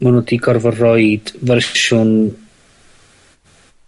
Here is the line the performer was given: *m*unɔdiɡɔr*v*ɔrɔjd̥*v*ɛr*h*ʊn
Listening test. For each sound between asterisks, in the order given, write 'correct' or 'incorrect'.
correct, correct, correct, incorrect

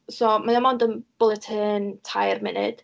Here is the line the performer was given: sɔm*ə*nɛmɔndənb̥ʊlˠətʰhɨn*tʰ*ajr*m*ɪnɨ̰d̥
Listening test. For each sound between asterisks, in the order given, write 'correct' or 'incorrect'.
incorrect, correct, correct

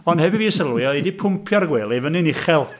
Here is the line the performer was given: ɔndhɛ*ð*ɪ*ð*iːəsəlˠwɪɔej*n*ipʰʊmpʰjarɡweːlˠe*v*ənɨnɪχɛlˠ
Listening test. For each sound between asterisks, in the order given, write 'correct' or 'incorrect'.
incorrect, incorrect, incorrect, correct

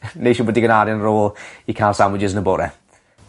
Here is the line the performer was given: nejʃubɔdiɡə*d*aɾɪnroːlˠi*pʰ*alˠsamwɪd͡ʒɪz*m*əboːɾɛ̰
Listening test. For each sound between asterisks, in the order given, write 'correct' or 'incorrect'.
incorrect, incorrect, incorrect

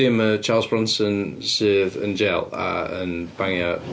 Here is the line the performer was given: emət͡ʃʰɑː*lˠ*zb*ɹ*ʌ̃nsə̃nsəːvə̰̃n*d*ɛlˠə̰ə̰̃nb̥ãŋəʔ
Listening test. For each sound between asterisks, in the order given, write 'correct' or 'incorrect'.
correct, correct, incorrect

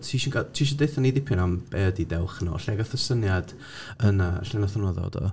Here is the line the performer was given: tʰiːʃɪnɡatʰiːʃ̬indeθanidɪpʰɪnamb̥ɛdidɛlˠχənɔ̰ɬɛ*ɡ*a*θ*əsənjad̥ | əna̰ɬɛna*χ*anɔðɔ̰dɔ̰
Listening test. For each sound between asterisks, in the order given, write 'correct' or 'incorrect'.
correct, correct, incorrect

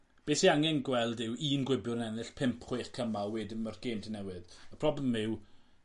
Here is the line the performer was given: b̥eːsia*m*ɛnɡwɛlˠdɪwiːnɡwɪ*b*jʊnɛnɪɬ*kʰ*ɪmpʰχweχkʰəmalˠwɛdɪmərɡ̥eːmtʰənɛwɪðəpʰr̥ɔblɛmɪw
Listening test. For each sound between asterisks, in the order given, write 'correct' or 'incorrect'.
incorrect, correct, incorrect

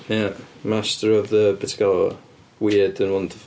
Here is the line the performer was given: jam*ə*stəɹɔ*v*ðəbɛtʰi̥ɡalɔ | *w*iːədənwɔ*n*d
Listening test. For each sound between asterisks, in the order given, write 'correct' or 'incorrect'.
incorrect, correct, correct, correct

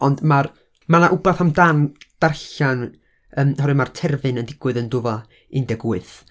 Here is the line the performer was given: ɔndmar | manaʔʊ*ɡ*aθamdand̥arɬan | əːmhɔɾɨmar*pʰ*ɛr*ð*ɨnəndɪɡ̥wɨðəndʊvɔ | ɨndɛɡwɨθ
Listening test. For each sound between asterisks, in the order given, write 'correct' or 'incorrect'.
incorrect, incorrect, incorrect

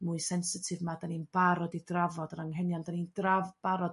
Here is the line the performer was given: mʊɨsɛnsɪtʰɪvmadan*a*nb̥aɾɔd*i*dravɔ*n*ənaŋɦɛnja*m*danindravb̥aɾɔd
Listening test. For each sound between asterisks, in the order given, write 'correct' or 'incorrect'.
incorrect, correct, incorrect, incorrect

